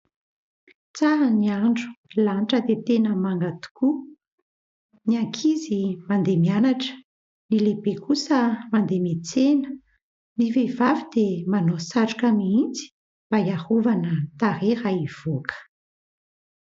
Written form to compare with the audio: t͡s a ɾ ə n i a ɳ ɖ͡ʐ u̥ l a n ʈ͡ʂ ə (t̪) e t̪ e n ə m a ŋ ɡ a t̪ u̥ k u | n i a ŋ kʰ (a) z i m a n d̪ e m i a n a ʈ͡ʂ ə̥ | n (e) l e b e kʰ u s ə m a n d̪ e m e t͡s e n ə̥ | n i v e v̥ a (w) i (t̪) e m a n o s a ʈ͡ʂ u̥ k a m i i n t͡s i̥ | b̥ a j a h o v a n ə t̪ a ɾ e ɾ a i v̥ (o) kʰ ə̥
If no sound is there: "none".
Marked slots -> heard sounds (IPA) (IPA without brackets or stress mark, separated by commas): d̪, i, i, v, d̪, o